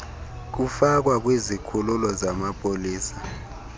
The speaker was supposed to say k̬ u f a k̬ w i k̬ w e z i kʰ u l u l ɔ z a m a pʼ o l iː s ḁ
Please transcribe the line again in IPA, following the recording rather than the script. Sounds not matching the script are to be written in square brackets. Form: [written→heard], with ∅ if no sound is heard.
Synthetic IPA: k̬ u f a k̬ w [i→a] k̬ w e z i kʰ u l u l ɔ z a m a pʼ o l iː s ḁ